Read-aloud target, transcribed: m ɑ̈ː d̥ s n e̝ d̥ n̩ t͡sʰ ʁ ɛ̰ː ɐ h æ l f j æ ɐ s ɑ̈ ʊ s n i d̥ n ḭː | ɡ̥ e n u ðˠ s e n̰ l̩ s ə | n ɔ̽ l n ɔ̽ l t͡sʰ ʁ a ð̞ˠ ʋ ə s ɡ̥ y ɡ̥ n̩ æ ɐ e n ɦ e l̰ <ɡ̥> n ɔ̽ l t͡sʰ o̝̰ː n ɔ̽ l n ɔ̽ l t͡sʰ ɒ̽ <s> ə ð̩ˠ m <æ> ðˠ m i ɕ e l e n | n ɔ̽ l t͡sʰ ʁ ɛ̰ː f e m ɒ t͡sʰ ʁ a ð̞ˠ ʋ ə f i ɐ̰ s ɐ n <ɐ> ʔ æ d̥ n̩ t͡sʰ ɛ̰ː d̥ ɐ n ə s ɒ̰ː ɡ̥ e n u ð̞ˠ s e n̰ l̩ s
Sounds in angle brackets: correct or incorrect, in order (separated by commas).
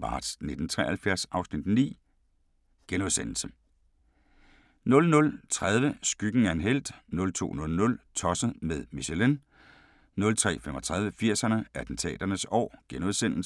incorrect, correct, incorrect, incorrect